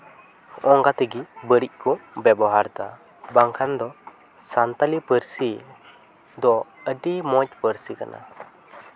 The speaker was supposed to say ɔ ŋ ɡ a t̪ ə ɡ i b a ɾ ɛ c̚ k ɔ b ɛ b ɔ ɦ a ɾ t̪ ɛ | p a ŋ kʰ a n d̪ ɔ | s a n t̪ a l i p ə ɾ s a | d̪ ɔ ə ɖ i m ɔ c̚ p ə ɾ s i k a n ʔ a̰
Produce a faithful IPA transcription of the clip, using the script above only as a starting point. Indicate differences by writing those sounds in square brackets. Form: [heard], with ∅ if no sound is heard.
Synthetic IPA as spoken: ɔ ŋ ɡ a t̪ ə ɡ i b [ə] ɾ [i] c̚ k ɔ b ɛ b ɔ ɦ a ɾ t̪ [a] | [b] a ŋ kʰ a n d̪ ɔ | s a n t̪ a l i p ə ɾ s [i] | d̪ ɔ ə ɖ i m ɔ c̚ p ə ɾ s i k a n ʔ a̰

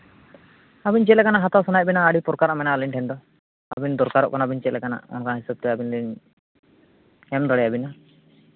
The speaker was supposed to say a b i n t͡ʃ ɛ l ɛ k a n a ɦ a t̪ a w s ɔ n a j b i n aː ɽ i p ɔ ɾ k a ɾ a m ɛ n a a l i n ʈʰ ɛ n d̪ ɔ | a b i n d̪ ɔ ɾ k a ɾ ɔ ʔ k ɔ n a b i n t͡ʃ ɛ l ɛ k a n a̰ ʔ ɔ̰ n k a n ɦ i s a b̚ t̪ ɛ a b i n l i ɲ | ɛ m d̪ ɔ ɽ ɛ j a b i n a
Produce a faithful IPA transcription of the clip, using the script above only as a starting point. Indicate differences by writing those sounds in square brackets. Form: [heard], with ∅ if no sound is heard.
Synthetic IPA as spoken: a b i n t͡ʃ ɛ l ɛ k a n a ɦ a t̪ a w s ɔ n a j b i n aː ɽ i p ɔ ɾ k a ɾ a m ɛ n a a l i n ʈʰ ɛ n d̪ ɔ | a b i n d̪ ɔ ɾ k a ɾ ɔ ʔ k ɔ n a b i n t͡ʃ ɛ l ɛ k a n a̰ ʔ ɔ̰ n k a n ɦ i s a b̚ t̪ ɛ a b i n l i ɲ | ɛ m d̪ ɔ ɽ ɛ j a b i n a

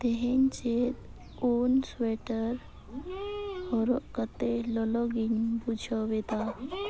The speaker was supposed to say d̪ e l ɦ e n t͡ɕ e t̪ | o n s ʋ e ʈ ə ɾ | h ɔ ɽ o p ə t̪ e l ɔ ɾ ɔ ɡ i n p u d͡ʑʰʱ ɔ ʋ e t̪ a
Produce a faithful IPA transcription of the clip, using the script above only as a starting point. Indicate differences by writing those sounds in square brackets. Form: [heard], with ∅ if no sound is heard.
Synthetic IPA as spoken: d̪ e [∅] ɦ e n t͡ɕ e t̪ | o n s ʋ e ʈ ə ɾ | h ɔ [ɾ] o [k] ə t̪ e l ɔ [l] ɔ ɡ i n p u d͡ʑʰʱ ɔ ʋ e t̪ a

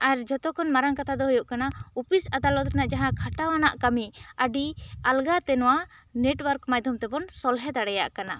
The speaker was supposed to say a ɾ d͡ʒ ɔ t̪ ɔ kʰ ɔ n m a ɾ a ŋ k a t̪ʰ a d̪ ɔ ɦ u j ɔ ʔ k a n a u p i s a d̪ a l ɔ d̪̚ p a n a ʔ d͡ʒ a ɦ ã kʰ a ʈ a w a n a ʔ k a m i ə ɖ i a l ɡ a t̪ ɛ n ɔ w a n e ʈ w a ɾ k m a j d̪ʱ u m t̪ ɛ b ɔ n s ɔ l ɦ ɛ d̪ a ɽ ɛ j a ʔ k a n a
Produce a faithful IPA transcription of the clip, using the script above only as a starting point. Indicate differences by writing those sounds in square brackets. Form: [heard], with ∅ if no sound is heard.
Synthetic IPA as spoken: a ɾ d͡ʒ ɔ t̪ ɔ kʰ ɔ n m a ɾ a ŋ k a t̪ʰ a d̪ ɔ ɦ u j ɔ ʔ k a n a u p i s a d̪ a l ɔ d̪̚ [k] a n a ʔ d͡ʒ a ɦ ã kʰ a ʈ a w a n a ʔ k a m i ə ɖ i a l ɡ a t̪ ɛ n ɔ w a n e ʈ w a ɾ k m a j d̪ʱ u m t̪ ɛ b ɔ n s ɔ l ɦ ɛ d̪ a ɽ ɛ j a ʔ k a n a

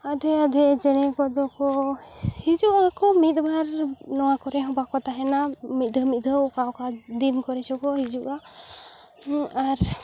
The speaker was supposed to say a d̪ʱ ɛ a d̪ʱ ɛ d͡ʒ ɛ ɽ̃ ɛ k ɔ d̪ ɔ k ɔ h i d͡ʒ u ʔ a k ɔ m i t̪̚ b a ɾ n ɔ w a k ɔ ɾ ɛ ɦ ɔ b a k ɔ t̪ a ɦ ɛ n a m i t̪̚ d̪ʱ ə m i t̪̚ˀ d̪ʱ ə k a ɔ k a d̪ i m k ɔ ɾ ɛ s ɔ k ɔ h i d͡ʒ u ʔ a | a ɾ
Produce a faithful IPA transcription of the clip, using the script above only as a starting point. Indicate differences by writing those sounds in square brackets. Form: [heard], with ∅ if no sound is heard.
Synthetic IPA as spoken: a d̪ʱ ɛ a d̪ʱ ɛ d͡ʒ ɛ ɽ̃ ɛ k ɔ d̪ ɔ k ɔ h i d͡ʒ u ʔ a k ɔ m i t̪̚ b a ɾ n ɔ w a k ɔ ɾ ɛ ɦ ɔ b a k ɔ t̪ a ɦ ɛ n a m i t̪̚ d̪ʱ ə m i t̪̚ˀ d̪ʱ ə k a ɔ k a d̪ i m k ɔ ɾ ɛ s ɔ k ɔ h i d͡ʒ u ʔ a | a ɾ

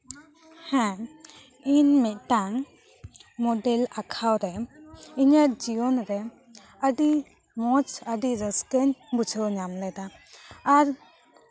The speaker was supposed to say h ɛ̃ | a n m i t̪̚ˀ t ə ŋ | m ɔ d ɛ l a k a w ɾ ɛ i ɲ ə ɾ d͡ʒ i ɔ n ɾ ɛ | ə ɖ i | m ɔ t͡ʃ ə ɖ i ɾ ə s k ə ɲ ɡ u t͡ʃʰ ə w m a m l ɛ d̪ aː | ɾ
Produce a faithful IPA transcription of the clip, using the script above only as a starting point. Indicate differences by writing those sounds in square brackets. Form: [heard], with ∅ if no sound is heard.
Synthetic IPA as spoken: h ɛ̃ | [i] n m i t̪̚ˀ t [a] ŋ | m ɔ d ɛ l a [kʰ] a w ɾ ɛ i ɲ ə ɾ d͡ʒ i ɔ n ɾ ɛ | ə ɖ i | m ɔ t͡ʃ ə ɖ i ɾ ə s k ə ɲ [b] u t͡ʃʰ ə w [ɲ] a m l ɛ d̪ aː | ɾ

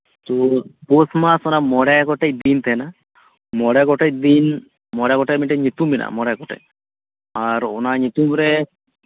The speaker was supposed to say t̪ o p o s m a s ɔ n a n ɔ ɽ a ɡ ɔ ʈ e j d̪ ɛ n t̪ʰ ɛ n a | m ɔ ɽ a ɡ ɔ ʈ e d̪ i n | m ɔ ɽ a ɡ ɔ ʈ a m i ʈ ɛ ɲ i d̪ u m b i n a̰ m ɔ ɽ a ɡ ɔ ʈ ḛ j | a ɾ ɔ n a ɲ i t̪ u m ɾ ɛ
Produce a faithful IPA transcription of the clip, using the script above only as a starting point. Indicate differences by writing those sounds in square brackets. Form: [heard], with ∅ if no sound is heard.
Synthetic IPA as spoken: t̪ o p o s m a s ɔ n a [m] ɔ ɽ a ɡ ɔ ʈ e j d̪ [i] n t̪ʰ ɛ n a | m ɔ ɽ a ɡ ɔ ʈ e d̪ i n | m ɔ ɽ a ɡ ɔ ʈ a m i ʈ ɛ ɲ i [t̪] u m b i n a̰ m ɔ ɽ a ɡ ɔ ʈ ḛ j | a ɾ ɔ n a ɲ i t̪ u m ɾ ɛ

